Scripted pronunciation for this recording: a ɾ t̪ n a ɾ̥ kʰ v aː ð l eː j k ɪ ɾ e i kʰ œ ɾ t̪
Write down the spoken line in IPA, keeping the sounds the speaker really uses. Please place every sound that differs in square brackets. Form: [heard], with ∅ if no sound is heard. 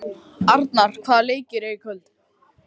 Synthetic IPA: a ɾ t̪ n a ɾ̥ kʰ v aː ð l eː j [c] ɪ ɾ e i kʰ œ [l] t̪